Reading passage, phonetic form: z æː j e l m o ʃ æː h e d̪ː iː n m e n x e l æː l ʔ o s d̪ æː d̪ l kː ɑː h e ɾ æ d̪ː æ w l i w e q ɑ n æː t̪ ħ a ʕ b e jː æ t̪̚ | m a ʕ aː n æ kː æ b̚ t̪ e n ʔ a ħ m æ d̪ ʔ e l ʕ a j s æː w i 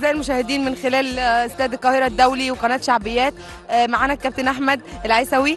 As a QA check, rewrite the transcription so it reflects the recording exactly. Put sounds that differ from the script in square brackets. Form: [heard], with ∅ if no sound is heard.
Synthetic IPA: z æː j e l m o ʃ æː h e [d̪] iː n m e n x e l æː l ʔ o s [t̪] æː d̪ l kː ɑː h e ɾ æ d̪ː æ w l i w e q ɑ n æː t̪ [ʃ] a ʕ b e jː [æː] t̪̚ | m a ʕ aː n æ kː æ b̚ t̪ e n ʔ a ħ m æ d̪ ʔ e l ʕ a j s [æ] w i